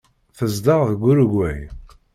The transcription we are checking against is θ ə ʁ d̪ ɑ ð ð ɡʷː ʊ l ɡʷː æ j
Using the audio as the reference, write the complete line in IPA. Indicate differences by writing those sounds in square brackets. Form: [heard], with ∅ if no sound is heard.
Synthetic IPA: θ ə [z] d̪ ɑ [ʁ] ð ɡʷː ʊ [ɾ] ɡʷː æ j